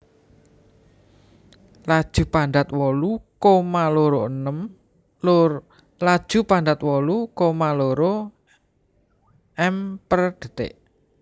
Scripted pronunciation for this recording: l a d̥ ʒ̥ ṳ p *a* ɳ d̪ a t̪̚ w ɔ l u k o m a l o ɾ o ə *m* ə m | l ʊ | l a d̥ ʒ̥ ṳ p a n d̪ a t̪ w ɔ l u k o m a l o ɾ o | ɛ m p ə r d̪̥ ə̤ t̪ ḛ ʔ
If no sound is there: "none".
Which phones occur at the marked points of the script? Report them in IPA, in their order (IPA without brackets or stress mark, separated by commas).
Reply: a, n